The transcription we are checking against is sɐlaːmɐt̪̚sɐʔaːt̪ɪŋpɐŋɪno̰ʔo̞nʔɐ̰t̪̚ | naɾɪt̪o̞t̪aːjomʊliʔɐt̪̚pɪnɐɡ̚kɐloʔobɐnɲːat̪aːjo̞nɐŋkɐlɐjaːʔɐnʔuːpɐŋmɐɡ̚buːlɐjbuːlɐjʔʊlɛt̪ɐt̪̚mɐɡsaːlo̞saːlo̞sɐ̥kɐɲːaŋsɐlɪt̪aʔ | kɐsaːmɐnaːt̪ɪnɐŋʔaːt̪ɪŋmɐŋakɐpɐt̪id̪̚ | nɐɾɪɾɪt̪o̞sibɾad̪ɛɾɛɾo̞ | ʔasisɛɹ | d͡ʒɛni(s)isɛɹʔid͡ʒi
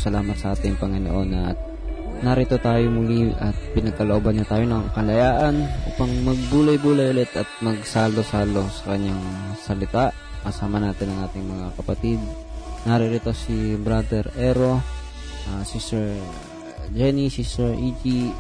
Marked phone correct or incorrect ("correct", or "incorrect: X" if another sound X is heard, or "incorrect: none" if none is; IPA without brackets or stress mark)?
correct